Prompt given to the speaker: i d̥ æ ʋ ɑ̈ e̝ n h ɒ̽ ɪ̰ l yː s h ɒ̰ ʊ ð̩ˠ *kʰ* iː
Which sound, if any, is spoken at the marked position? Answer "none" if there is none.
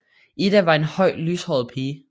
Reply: pʰ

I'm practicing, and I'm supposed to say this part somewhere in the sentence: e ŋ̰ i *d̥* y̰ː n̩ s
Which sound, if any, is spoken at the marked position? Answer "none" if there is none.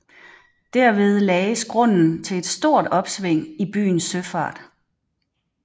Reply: b̥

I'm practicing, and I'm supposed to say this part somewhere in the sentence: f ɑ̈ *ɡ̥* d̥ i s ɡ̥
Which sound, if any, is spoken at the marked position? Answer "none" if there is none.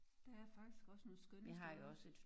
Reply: ɡ̥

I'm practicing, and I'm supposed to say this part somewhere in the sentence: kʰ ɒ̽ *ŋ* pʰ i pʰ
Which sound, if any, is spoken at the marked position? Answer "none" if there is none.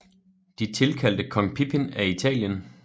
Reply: ŋ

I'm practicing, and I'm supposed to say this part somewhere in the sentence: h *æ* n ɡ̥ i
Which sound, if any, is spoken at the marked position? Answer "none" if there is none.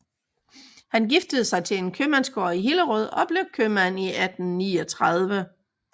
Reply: æ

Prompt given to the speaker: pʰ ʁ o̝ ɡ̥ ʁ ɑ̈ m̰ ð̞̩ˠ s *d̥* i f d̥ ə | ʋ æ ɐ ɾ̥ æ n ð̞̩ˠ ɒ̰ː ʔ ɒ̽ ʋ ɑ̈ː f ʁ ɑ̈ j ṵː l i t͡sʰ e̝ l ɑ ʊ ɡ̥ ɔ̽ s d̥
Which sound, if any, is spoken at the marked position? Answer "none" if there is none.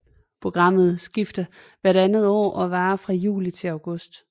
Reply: ɡ̥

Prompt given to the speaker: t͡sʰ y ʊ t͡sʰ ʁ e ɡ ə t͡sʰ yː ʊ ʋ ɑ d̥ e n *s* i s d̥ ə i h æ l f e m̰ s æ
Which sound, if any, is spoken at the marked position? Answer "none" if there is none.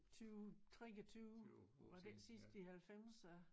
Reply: s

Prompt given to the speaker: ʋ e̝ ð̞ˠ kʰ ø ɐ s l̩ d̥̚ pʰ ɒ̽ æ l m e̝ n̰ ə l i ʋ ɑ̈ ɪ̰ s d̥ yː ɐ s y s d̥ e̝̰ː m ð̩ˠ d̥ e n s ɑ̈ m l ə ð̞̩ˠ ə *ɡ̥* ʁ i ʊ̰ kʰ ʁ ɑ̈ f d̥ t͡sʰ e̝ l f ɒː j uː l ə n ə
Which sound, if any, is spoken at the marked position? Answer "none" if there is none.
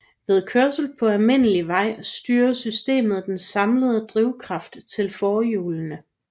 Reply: d̥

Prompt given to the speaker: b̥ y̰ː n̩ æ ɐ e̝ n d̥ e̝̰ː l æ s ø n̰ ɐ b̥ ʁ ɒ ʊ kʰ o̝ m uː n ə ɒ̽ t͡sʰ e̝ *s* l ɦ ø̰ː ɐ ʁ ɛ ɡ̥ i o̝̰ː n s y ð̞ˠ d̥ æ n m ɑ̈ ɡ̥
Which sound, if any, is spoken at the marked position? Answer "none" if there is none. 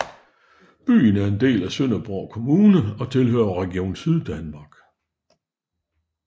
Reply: none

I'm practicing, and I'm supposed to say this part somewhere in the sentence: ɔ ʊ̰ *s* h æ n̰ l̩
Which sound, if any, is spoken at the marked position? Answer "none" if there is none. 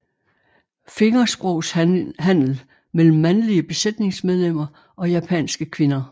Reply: s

